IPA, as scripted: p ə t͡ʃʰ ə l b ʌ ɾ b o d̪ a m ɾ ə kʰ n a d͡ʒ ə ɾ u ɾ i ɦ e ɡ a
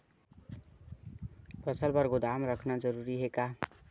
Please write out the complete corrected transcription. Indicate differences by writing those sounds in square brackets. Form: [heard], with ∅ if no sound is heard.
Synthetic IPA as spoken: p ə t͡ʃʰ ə l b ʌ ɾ [ɡ] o d̪ a m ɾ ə kʰ n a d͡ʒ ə ɾ u ɾ i ɦ e [k] a